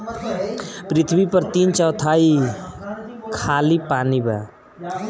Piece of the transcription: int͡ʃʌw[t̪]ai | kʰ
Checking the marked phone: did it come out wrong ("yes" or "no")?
yes